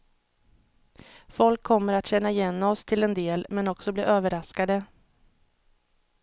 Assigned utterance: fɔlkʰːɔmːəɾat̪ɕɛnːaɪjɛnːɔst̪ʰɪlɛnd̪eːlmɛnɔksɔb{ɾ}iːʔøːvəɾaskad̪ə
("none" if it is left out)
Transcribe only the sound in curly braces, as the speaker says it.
l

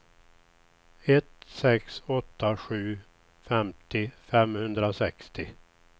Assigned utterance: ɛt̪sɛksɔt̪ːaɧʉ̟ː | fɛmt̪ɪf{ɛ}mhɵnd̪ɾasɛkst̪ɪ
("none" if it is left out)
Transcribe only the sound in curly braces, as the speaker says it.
ɛ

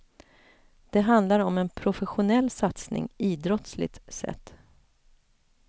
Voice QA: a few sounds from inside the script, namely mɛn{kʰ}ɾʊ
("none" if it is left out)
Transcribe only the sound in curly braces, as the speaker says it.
pʰ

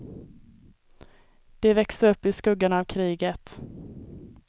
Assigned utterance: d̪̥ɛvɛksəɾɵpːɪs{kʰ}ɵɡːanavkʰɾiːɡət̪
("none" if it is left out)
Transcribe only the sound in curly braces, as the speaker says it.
k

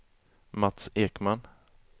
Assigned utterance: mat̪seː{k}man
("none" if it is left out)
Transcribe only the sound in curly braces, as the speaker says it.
k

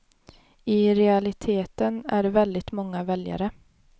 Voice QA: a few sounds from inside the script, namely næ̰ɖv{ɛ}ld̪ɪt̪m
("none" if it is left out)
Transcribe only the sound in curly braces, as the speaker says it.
ɛ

